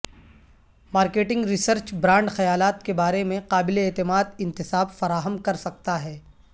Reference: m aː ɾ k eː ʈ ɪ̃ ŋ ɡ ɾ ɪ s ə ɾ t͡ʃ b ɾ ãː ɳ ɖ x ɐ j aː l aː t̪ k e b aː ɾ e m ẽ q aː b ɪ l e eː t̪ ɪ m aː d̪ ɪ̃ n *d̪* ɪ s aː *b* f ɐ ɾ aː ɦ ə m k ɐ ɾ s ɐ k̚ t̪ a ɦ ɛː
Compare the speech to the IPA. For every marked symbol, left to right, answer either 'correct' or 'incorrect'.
incorrect: t̪, correct

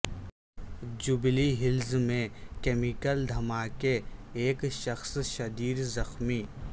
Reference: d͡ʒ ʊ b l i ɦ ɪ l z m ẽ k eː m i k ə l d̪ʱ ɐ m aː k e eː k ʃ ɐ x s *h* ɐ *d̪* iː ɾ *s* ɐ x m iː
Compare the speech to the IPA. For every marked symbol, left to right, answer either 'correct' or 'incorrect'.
incorrect: ʃ, correct, incorrect: z

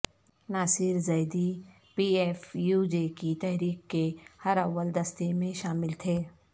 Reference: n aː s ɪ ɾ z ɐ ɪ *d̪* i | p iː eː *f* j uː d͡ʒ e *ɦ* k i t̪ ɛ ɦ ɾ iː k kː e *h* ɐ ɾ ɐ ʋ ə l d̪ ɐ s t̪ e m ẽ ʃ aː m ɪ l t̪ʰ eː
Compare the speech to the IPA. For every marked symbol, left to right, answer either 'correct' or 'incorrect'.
correct, correct, incorrect: none, correct

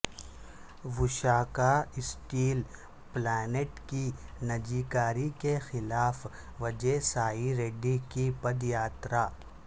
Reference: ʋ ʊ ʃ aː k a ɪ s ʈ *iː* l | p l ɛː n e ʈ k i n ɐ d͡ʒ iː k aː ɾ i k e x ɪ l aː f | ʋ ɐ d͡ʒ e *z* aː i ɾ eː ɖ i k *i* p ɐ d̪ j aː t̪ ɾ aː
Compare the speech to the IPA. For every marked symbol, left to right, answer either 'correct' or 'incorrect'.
correct, incorrect: s, correct

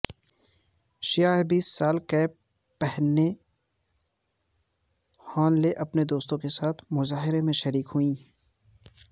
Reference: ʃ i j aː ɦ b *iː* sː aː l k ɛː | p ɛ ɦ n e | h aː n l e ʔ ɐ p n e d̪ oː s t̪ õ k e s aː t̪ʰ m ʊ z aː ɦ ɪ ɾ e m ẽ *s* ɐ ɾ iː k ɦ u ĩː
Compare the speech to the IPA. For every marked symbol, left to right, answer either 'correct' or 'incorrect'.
correct, incorrect: ʃ

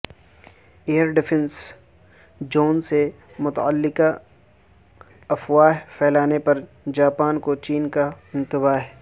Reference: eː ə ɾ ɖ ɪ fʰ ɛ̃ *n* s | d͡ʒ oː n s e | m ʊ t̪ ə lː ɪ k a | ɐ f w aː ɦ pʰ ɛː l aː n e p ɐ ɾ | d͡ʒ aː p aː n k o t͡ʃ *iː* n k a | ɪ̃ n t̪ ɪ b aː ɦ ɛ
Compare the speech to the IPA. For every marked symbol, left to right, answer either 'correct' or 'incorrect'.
correct, correct

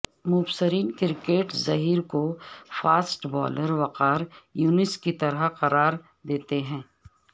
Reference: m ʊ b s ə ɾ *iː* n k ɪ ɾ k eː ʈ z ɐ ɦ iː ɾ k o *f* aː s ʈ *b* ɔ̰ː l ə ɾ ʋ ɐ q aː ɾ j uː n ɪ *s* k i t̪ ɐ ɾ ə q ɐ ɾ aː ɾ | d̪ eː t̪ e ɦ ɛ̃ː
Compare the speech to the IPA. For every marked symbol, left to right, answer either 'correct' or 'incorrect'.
correct, correct, correct, correct

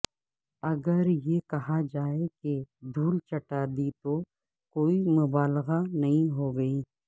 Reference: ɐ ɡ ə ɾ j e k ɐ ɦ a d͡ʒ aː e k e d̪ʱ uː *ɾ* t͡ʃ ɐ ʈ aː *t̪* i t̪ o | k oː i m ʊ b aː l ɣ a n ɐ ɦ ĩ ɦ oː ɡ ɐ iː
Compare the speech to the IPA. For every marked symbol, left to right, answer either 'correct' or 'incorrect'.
incorrect: l, incorrect: d̪

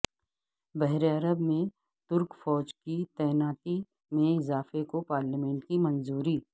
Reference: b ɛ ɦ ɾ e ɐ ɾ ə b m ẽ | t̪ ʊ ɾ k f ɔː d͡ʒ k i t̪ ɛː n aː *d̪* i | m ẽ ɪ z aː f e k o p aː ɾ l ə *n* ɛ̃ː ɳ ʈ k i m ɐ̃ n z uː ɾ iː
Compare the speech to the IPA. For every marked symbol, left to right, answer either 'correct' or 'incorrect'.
incorrect: t̪, incorrect: m

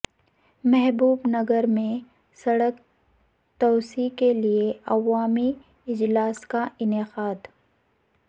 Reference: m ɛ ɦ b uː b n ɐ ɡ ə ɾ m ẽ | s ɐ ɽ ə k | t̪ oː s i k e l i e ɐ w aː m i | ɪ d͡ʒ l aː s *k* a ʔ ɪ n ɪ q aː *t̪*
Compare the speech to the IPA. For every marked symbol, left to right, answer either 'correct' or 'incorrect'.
correct, incorrect: d̪

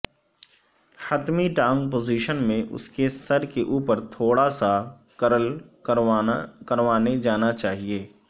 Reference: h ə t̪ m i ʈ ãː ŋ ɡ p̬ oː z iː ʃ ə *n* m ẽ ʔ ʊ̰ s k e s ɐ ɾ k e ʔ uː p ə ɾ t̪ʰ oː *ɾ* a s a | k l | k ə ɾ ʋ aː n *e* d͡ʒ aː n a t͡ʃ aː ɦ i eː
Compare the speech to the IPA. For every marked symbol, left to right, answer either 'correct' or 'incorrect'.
correct, incorrect: ɽ, correct

